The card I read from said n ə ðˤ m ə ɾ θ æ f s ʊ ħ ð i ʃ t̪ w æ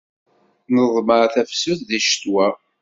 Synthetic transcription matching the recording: n ə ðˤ m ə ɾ θ æ f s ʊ θ ð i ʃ t̪ w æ